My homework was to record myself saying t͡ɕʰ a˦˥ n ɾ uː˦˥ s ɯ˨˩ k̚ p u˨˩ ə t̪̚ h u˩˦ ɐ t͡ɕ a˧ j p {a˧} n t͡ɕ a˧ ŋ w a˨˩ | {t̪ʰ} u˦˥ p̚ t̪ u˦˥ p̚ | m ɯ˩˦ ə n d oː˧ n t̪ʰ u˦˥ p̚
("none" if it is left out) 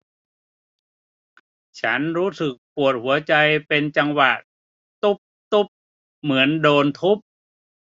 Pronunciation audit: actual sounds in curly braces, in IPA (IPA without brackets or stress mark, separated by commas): e˧, t̪